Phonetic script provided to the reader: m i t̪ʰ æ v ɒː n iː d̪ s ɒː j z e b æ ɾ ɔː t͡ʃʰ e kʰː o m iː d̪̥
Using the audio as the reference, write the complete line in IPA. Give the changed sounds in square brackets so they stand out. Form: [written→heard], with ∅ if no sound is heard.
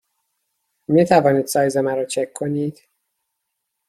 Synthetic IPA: m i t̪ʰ æ v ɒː n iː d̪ s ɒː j z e [b→m] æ ɾ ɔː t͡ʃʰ e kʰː o [m→n] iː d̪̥